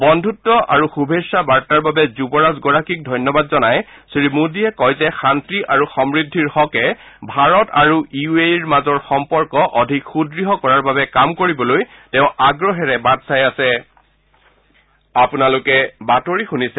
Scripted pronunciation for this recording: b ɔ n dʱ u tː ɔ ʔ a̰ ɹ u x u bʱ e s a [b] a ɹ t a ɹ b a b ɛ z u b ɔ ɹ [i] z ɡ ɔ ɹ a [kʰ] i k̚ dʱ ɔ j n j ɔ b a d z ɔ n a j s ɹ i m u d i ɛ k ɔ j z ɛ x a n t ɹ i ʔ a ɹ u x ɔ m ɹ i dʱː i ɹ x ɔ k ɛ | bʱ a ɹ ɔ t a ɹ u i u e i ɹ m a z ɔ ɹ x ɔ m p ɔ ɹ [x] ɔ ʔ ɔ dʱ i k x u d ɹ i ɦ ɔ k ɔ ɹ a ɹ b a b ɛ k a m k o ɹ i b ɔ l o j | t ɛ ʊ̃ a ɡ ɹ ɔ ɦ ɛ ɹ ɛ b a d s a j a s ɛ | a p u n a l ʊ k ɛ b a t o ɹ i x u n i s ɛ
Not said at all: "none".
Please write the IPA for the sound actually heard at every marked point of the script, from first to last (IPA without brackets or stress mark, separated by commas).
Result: b, a, k, k